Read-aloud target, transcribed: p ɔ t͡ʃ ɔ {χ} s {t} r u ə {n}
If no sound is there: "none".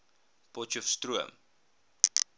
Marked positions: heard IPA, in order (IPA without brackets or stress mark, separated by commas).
f, t, m